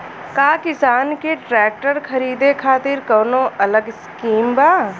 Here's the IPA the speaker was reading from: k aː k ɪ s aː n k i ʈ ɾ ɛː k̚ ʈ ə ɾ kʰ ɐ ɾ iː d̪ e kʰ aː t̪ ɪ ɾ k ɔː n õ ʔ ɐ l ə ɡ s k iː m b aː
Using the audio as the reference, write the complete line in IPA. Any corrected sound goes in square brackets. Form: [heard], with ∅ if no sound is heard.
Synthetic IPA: k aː k ɪ s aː n k [e] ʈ ɾ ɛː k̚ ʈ ə ɾ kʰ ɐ ɾ iː d̪ e kʰ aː t̪ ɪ ɾ k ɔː n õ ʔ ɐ l ə ɡ s k iː m b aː